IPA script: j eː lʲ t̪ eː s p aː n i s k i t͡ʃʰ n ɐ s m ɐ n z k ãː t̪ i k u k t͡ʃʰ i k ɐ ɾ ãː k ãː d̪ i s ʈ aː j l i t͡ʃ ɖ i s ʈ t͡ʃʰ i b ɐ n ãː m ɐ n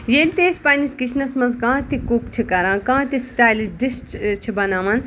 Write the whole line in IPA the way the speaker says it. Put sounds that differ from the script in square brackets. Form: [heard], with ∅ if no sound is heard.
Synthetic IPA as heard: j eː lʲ t̪ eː s p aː n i s k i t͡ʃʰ n ɐ s m ɐ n z k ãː t̪ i k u k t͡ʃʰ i k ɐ ɾ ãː k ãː [t̪] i s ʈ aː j l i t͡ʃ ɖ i s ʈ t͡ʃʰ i b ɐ n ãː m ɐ n